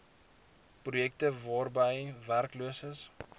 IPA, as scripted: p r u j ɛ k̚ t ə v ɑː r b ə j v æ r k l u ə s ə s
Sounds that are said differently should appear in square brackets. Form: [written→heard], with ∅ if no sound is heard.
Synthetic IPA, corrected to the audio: p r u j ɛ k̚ t ə v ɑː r b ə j v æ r k l u ə s ə s